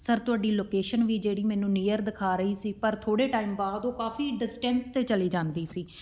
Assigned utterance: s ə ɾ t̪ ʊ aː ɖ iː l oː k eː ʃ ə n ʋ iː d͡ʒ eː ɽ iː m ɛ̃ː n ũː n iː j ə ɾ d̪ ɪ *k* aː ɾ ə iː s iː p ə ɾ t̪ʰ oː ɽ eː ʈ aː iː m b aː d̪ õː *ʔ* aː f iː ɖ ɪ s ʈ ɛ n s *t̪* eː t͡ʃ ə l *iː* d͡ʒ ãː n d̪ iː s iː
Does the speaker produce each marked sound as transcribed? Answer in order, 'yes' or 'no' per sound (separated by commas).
no, no, yes, yes